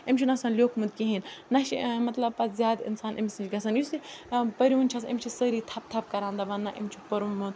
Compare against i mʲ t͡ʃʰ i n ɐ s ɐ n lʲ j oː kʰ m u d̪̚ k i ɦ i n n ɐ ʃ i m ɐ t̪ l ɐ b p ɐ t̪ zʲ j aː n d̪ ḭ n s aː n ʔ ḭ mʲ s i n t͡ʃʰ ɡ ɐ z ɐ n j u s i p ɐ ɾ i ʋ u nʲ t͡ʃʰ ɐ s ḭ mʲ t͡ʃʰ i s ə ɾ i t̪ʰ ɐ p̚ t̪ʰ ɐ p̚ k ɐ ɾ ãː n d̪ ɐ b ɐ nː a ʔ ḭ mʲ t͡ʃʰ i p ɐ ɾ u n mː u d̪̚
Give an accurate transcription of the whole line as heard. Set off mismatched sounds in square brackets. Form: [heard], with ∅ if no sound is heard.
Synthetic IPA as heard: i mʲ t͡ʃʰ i n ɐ s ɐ n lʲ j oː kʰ m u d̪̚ k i ɦ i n n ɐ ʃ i m ɐ t̪ l ɐ b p ɐ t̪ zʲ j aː [∅] d̪ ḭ n s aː n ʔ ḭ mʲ s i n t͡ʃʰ ɡ ɐ [s] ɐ n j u s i p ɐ ɾ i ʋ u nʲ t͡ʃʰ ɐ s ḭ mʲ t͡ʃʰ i s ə ɾ i t̪ʰ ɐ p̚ t̪ʰ ɐ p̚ k ɐ ɾ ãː n d̪ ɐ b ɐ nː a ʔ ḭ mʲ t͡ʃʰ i p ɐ ɾ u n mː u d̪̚